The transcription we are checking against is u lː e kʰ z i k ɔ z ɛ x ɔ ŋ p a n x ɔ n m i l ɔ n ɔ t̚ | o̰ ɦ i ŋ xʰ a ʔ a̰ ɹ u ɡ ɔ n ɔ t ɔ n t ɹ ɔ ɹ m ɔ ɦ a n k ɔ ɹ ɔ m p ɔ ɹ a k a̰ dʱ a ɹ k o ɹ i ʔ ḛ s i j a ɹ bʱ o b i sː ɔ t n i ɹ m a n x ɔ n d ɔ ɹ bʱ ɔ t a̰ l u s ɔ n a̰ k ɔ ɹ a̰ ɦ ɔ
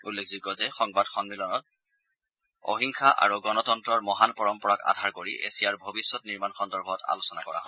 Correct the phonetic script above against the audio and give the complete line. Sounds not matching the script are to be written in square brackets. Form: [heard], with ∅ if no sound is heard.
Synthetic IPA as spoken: u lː e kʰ z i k ɔ z ɛ x ɔ ŋ [b] a [d] x ɔ n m i l ɔ n ɔ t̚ | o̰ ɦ i ŋ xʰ a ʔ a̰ ɹ u ɡ ɔ n ɔ t ɔ n t ɹ ɔ ɹ m ɔ ɦ a n [p] ɔ ɹ ɔ m p ɔ ɹ a k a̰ dʱ a ɹ k o ɹ i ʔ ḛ s i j a ɹ bʱ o b i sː ɔ t n i ɹ m a n x ɔ n d ɔ ɹ bʱ ɔ t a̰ l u s ɔ n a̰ k ɔ ɹ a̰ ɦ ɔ